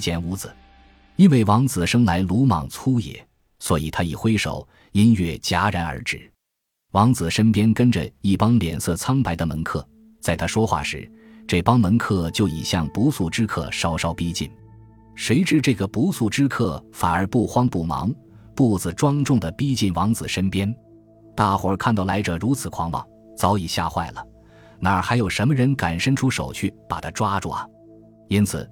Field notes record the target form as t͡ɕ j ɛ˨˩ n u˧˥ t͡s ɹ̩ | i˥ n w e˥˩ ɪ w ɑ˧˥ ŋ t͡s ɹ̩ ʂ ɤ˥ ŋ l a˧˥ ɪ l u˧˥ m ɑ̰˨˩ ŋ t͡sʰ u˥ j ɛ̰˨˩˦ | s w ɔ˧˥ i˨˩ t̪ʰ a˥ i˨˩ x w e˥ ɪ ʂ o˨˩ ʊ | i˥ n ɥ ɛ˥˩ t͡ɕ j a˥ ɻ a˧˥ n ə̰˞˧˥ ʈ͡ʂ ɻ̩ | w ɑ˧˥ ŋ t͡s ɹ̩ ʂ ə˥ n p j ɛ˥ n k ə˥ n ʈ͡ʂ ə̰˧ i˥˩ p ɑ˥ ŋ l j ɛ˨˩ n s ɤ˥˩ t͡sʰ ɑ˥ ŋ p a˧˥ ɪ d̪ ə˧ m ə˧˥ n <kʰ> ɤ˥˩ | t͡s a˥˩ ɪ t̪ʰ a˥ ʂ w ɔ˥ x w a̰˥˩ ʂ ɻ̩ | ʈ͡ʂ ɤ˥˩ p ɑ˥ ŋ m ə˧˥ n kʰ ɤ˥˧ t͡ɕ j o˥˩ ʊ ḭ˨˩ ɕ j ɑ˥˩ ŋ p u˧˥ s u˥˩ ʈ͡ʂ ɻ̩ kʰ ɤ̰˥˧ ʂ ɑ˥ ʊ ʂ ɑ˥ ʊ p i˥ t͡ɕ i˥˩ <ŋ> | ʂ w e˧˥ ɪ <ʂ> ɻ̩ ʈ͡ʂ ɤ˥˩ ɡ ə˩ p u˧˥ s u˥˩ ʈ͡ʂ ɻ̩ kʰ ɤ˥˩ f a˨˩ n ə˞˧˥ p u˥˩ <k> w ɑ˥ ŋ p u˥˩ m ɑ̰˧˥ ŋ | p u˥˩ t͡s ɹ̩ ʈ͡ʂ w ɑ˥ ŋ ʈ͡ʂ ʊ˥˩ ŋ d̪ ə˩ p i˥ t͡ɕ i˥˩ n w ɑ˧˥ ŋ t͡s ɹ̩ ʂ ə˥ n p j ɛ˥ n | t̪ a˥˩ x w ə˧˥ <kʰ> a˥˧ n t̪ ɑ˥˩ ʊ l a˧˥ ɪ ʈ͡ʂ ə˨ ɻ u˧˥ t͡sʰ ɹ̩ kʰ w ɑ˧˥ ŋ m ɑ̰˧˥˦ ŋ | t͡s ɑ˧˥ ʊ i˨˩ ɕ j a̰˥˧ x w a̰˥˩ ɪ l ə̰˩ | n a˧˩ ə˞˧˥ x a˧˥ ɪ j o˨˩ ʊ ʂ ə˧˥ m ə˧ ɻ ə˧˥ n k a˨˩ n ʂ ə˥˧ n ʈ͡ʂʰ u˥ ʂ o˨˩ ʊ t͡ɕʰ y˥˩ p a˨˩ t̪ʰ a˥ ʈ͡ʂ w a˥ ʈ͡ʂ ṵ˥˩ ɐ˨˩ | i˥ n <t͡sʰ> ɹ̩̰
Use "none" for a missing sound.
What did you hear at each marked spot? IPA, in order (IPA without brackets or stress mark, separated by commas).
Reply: kʰ, n, ʈ͡ʂ, x, kʰ, t͡sʰ